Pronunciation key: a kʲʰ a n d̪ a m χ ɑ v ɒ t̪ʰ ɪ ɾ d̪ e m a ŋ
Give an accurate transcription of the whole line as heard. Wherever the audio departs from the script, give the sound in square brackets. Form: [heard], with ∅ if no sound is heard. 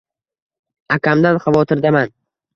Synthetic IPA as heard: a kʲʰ a [m] d̪ a [n] χ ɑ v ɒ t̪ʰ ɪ ɾ d̪ [a] m a [n]